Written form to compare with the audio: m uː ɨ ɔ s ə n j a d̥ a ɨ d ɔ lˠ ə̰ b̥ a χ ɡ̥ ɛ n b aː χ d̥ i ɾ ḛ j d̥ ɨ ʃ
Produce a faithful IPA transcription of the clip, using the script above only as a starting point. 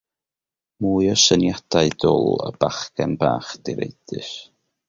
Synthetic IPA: m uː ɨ ɔ s ə n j a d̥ a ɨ d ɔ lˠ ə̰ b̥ a χ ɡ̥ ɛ n b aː χ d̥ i ɾ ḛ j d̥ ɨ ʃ